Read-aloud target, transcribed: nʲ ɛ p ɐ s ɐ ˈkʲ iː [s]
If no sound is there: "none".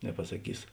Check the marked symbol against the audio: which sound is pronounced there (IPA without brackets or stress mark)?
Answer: s